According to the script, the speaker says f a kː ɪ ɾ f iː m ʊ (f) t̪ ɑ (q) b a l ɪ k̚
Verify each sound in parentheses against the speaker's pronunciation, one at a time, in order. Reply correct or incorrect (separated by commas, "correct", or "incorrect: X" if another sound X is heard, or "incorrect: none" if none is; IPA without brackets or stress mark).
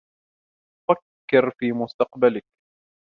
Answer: incorrect: s, correct